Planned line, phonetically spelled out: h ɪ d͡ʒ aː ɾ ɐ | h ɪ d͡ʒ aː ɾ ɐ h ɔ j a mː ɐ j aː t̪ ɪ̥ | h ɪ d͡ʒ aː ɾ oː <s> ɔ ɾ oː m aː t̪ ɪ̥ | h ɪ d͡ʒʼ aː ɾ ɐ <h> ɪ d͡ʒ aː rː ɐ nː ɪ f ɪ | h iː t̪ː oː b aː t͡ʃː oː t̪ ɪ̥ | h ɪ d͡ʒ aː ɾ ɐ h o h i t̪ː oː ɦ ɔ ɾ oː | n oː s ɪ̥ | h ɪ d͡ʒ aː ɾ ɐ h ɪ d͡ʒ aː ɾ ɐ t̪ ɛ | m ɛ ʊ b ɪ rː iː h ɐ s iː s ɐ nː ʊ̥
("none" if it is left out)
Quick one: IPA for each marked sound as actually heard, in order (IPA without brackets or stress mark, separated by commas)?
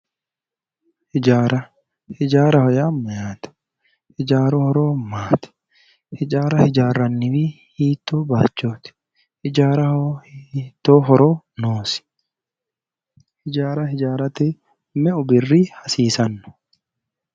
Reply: h, h